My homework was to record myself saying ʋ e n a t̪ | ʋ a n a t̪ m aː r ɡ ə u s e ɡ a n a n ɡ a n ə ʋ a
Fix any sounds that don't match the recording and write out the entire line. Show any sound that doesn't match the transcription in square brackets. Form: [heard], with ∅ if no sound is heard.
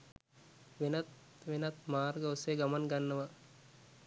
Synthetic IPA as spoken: ʋ e n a t̪ | ʋ [e] n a t̪ m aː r ɡ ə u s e ɡ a [m] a n ɡ a [nː] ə ʋ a

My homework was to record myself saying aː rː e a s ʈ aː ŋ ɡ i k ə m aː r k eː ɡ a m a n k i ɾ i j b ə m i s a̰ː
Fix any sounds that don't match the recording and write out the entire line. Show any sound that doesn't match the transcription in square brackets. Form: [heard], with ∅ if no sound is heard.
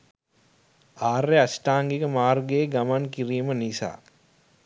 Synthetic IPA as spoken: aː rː e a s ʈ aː ŋ ɡ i k ə m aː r [ɡ] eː ɡ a m a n k i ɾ i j [m] ə [n] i s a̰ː

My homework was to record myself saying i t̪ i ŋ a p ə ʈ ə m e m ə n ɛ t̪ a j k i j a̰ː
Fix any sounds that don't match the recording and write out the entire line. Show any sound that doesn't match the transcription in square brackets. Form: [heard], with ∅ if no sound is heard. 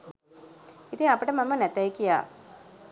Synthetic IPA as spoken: i t̪ i ŋ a p ə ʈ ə m [a] m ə n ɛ t̪ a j k i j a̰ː

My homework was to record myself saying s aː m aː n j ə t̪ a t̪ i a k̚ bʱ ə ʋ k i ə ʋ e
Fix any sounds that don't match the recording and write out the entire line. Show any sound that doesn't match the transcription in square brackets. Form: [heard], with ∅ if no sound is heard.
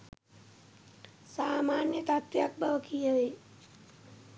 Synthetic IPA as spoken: s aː m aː n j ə t̪ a t̪ [j] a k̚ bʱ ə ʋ k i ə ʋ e

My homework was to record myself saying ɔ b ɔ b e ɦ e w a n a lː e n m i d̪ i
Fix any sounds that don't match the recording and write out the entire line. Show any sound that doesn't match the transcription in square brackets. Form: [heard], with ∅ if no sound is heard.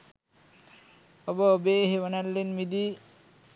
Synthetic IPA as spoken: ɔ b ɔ b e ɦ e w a n a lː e n m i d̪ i

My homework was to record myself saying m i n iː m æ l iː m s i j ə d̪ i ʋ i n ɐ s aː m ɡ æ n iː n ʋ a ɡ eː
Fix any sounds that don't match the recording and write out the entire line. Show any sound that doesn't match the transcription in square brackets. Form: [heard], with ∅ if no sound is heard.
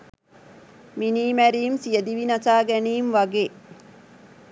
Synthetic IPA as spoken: m i n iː m æ [ɾ] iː m s i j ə d̪ i ʋ i n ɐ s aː [∅] ɡ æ n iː [m] ʋ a ɡ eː

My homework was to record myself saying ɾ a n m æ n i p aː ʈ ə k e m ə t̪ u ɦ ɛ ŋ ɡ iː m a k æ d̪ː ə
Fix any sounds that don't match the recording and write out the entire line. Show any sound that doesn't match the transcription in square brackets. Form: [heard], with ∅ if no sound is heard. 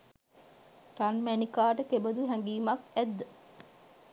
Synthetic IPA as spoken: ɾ a n m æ n i [k] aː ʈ ə k e [b] ə [d̪] u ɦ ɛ ŋ ɡ iː m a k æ d̪ː ə

